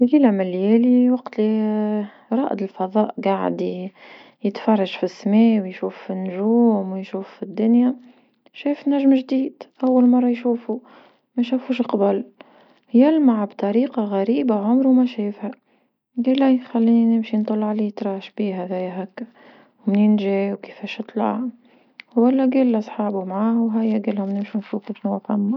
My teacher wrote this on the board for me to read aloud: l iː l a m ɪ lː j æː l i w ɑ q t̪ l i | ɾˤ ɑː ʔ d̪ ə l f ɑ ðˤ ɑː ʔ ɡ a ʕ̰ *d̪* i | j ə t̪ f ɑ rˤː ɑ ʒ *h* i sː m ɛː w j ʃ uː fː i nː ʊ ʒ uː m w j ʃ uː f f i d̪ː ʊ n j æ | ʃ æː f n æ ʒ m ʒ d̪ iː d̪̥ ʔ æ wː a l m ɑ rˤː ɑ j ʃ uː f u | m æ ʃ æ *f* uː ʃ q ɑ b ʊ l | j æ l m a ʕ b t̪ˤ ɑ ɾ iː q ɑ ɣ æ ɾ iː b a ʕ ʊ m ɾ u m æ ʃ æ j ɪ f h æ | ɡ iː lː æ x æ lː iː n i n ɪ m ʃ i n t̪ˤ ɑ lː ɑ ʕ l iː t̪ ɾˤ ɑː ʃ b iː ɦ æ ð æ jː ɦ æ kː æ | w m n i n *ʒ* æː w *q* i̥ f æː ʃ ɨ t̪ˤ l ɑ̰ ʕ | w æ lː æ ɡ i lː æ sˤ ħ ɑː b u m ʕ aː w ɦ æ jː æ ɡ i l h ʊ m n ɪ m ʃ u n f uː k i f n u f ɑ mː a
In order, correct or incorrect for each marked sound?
correct, incorrect, correct, correct, incorrect

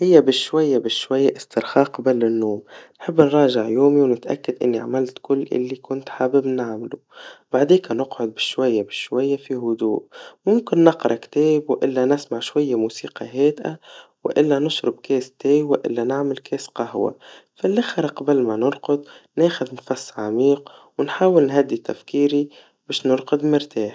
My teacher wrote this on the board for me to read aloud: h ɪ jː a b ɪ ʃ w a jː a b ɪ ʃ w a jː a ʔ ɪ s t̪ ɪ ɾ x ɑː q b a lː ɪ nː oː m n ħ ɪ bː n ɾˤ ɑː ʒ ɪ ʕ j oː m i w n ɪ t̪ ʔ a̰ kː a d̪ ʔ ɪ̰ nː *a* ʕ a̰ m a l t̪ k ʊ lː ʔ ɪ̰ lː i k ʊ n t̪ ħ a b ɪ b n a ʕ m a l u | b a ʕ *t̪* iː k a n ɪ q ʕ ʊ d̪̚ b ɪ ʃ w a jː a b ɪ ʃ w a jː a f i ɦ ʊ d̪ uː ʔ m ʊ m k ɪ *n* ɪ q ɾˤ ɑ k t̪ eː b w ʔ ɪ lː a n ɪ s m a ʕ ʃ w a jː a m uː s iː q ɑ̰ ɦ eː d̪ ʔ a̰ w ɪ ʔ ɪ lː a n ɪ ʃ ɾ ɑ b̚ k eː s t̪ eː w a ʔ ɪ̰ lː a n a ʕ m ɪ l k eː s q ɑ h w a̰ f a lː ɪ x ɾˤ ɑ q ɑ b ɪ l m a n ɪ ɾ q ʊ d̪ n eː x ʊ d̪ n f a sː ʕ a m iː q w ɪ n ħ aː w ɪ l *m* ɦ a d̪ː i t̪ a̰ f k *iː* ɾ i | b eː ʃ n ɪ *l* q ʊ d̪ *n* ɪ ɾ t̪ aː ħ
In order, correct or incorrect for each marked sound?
incorrect, incorrect, incorrect, incorrect, correct, incorrect, incorrect

